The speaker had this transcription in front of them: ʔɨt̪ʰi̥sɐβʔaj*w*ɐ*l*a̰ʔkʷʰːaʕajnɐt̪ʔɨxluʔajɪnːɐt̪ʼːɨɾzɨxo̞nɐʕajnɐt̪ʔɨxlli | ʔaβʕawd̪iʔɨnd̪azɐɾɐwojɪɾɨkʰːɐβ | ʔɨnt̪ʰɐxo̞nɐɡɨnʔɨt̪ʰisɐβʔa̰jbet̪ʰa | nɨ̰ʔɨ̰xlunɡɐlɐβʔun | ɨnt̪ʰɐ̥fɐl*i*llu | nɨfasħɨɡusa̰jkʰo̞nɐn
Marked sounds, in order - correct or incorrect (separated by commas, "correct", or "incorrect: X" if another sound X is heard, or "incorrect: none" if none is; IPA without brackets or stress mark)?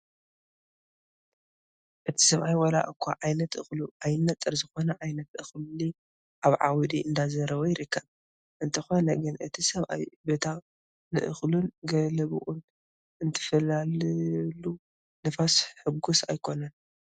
correct, correct, incorrect: a